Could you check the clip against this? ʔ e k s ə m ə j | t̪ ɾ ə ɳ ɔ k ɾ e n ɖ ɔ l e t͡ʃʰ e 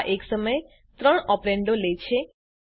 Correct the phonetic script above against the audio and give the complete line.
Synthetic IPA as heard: ʔ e k s ə m ə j | t̪ ɾ ə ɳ ɔ p ɾ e ɳ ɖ o l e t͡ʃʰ e